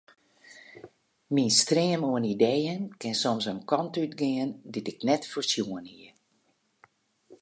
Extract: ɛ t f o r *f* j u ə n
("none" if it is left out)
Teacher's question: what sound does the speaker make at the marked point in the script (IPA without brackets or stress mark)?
s